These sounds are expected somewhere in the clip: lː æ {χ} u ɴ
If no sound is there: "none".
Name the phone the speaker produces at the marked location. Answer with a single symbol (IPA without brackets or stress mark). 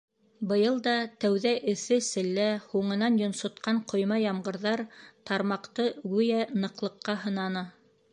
h